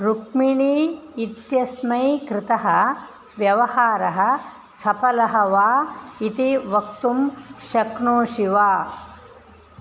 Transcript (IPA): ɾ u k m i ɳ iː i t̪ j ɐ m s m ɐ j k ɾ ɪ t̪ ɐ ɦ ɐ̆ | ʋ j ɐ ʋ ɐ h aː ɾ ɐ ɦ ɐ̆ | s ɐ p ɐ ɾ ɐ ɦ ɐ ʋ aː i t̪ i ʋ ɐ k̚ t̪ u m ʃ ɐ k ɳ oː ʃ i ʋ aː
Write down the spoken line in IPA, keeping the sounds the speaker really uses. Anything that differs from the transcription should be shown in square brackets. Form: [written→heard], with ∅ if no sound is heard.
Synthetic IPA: ɾ u k m i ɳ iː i t̪ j ɐ [m→∅] s m ɐ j k ɾ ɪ t̪ ɐ ɦ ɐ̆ | ʋ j ɐ ʋ ɐ h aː ɾ ɐ ɦ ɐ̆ | s ɐ p ɐ [ɾ→l] ɐ ɦ ɐ ʋ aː i t̪ i ʋ ɐ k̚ t̪ u m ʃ ɐ k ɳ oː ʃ i ʋ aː